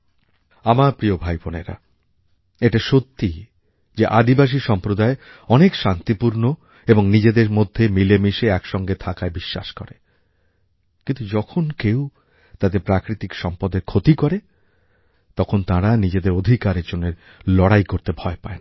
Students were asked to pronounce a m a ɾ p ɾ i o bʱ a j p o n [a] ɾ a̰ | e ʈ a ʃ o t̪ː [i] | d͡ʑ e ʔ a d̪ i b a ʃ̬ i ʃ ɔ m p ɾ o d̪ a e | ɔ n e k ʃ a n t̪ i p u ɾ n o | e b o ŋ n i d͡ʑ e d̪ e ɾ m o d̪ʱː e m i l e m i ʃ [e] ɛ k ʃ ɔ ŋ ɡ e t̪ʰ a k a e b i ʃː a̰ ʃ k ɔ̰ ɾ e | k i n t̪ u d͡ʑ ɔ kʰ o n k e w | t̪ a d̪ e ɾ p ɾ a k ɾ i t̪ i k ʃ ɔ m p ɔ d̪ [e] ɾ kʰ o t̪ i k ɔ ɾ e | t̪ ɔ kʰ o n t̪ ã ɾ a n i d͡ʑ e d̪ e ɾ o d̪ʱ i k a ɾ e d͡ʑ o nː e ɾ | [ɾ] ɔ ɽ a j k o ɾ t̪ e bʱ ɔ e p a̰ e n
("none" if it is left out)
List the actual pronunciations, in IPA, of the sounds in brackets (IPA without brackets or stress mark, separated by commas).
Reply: e, i, e, e, l